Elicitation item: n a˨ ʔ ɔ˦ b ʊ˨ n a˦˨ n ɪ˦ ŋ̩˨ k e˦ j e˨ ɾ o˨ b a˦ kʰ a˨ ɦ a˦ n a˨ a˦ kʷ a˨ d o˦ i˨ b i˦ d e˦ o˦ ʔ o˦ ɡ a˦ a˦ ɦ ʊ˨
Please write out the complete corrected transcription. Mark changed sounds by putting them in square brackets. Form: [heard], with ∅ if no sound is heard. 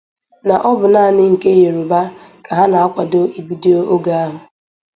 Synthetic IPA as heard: n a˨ ʔ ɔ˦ b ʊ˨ n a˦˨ n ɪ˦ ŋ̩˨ k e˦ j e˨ ɾ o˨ b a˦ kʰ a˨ ɦ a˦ n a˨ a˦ kʷ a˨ d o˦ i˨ b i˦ d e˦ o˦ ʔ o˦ ɡ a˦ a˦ ɦ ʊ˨

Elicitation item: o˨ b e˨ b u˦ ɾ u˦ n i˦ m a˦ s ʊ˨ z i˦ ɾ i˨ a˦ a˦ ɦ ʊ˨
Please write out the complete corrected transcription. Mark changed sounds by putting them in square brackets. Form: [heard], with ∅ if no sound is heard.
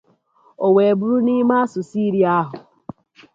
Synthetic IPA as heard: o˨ [w] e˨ b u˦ ɾ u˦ n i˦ m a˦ s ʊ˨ [s] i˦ ɾ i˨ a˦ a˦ ɦ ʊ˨

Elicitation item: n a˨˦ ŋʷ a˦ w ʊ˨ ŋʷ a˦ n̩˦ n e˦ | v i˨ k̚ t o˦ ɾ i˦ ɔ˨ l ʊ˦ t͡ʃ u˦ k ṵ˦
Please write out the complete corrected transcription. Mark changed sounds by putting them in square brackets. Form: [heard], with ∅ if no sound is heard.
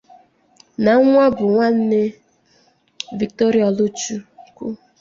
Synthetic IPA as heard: n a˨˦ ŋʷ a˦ [b] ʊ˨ ŋʷ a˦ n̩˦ n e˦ | v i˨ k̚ t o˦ ɾ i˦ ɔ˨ l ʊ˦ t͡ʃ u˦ k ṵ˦

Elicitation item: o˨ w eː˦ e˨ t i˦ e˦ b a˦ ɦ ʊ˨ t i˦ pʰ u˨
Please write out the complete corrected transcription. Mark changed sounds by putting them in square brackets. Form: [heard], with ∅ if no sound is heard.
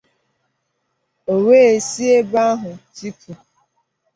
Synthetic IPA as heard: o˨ w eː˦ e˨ [s] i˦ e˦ b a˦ ɦ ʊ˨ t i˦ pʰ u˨

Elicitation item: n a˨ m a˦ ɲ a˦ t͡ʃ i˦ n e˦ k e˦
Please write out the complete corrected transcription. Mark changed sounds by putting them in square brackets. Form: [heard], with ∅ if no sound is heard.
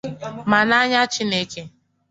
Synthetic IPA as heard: [m] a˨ [n] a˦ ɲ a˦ t͡ʃ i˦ n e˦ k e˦

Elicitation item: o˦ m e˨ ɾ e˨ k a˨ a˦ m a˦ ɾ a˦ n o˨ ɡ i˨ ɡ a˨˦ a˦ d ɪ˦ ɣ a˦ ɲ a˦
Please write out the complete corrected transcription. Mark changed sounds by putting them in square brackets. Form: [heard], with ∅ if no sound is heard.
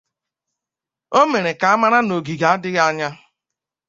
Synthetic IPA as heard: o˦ m e˨ ɾ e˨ k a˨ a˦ m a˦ ɾ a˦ n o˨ ɡ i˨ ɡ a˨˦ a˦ d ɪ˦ ɣ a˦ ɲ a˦

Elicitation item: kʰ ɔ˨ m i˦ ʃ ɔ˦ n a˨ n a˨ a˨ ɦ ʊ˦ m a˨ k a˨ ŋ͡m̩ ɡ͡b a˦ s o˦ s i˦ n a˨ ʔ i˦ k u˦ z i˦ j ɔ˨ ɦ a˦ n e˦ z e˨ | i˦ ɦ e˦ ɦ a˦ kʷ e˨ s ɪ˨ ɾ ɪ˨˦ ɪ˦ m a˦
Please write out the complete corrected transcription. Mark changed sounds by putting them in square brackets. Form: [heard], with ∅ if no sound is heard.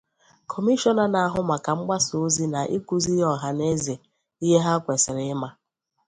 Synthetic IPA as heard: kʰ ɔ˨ m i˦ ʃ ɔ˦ n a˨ n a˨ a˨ ɦ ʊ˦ m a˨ k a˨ ŋ͡m̩ ɡ͡b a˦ s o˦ [z] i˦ n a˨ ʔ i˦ k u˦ z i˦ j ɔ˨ ɦ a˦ n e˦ z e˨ | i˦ ɦ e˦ ɦ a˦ kʷ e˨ s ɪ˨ ɾ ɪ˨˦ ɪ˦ m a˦

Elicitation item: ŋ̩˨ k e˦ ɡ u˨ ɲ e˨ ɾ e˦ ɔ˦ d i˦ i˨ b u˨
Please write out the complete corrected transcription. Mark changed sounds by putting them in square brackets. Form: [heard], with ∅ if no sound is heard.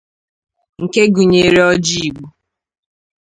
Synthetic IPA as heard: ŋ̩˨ k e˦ ɡ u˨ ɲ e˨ ɾ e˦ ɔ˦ [d͡ʒ] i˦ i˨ [ɡ͡b] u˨

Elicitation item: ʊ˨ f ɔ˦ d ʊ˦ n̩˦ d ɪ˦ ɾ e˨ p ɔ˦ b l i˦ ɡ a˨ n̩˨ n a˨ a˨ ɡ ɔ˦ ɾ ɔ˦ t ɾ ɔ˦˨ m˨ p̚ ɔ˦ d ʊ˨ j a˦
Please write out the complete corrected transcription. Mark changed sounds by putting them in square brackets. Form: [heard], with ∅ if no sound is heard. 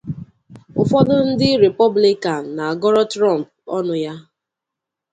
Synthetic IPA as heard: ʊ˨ f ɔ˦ d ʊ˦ n̩˦ d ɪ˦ ɾ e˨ p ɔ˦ b l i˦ [k] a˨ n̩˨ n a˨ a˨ ɡ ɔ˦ ɾ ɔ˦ t ɾ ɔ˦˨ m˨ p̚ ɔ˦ [n] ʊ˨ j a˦

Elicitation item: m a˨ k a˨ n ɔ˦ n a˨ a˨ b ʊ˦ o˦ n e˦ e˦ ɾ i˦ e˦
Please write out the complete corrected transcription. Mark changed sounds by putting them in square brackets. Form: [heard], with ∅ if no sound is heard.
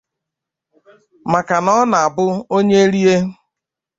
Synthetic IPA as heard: m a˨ k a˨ n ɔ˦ n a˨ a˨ b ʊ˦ o˦ [ɲ] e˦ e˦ ɾ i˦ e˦

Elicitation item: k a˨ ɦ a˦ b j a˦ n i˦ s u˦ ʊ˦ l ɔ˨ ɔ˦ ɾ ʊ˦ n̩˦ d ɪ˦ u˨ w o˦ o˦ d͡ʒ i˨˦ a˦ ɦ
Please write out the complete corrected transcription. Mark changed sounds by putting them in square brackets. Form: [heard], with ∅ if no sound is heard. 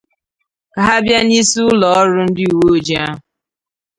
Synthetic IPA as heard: k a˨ ɦ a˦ b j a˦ n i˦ s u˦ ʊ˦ l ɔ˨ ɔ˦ ɾ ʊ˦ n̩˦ d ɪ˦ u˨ w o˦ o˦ d͡ʒ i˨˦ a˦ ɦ

